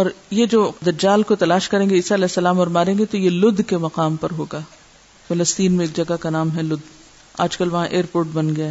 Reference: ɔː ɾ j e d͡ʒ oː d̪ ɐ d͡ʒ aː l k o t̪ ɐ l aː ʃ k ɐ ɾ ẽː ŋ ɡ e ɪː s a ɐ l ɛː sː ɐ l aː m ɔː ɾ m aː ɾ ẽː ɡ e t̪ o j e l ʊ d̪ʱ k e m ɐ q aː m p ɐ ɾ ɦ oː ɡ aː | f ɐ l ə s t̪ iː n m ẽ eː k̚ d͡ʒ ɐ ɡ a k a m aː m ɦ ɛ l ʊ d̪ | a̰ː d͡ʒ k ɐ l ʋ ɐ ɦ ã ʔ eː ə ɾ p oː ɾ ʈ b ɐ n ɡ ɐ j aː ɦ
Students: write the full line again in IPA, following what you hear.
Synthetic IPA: ɔː ɾ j e d͡ʒ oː d̪ ɐ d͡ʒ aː l k o t̪ ɐ l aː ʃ k ɐ ɾ ẽː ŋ ɡ e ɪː s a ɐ l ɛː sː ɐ l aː m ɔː ɾ m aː ɾ ẽː ɡ e t̪ o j e l ʊ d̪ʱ k e m ɐ q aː m p ɐ ɾ ɦ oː ɡ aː | f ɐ l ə s t̪ iː n m ẽ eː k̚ d͡ʒ ɐ ɡ a k a n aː m ɦ ɛ l ʊ d̪ | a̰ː d͡ʒ k ɐ l ʋ ɐ ɦ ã ʔ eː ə ɾ p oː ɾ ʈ b ɐ n ɡ ɐ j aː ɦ